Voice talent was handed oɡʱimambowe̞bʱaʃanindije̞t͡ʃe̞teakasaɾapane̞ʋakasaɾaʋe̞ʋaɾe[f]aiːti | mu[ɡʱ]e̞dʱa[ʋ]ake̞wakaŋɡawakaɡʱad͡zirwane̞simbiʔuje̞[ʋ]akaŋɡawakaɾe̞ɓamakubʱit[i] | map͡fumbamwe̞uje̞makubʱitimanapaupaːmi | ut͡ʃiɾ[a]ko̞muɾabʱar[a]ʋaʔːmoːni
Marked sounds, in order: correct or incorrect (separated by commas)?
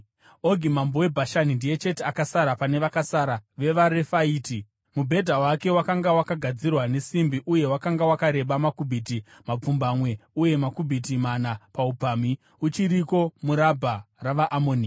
correct, incorrect, incorrect, incorrect, correct, incorrect, correct